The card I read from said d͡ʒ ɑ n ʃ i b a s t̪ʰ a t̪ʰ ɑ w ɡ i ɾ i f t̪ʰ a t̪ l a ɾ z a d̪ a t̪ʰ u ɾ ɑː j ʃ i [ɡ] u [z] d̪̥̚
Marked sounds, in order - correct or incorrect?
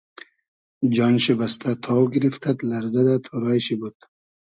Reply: incorrect: b, incorrect: none

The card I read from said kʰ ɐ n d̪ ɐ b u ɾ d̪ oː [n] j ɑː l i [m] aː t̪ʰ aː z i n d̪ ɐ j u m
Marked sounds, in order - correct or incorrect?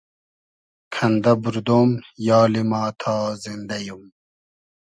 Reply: incorrect: m, correct

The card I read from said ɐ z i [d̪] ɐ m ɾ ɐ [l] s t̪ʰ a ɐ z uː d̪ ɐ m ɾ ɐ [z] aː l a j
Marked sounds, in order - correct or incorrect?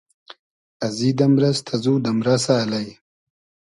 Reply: correct, incorrect: none, incorrect: s

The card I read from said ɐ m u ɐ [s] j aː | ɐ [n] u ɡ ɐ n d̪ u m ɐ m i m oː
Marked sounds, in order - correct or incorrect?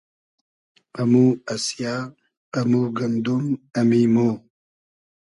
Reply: correct, incorrect: m

